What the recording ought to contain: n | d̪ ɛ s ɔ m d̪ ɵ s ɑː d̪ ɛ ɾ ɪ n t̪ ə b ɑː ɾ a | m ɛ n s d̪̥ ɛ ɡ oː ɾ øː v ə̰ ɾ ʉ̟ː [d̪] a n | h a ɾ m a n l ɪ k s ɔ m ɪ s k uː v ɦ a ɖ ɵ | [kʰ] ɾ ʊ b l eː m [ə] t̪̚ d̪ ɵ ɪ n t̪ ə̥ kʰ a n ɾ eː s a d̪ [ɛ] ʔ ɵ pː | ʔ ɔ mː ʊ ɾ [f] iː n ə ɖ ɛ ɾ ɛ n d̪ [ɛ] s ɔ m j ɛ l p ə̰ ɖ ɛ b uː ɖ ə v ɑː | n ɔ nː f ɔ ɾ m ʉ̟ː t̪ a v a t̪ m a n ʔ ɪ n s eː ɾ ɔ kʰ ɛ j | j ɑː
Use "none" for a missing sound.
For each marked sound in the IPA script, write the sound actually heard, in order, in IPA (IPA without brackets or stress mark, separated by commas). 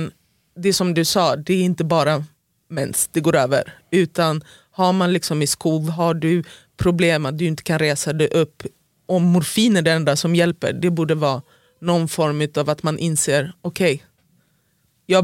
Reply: t̪, pʰ, a, ɛ, f, a